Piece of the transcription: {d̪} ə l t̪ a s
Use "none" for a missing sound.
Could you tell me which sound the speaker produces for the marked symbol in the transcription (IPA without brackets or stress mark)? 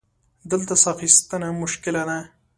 d̪